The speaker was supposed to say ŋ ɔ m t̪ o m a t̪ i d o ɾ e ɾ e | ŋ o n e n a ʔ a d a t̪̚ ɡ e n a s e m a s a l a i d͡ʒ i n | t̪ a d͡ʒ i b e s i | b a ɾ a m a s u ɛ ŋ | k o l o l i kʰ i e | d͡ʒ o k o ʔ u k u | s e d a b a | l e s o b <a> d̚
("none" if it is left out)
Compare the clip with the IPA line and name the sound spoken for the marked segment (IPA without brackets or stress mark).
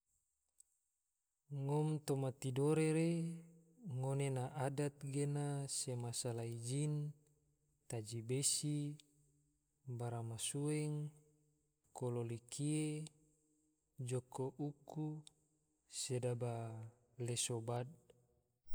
a